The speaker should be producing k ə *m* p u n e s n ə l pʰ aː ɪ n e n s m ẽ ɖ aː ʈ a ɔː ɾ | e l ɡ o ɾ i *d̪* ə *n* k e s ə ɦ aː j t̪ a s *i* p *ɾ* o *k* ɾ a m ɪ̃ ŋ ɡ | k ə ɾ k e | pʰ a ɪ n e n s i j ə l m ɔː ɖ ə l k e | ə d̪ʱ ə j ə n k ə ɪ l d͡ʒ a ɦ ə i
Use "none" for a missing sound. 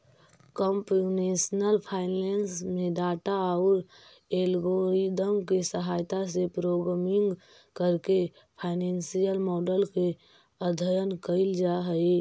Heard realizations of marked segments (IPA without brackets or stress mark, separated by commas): m, d̪, m, e, ɾ, ɡ